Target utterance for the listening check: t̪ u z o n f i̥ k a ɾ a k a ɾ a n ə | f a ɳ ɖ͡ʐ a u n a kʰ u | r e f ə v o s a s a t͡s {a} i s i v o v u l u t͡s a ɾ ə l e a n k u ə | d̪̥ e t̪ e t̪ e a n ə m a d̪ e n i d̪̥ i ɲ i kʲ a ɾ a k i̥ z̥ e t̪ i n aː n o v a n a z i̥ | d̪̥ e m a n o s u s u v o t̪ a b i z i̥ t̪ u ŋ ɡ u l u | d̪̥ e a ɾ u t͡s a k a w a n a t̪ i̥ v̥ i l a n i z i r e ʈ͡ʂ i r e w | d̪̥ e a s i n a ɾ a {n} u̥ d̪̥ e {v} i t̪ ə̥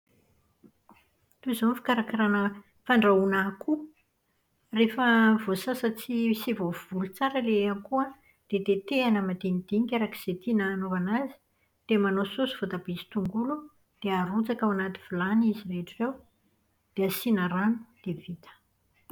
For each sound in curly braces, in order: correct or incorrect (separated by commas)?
incorrect, correct, correct